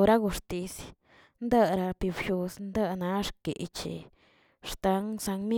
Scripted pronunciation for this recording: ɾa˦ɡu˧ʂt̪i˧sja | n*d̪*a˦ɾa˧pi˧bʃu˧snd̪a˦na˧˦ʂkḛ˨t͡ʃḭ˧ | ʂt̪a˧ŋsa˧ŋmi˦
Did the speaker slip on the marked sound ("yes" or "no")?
no